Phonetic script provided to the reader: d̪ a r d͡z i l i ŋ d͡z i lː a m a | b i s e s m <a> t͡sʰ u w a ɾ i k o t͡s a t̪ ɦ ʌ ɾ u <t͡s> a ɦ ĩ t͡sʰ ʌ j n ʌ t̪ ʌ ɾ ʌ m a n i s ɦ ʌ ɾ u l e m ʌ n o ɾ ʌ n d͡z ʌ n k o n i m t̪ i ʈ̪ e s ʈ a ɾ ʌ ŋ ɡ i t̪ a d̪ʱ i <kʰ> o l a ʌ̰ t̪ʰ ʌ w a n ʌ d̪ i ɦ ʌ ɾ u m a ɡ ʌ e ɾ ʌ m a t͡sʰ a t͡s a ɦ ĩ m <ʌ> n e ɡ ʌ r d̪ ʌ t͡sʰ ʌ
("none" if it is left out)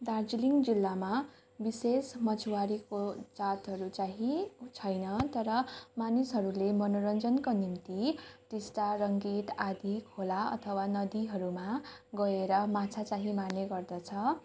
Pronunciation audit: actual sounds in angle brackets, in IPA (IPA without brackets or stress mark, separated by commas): ʌ, t͡s, kʰ, a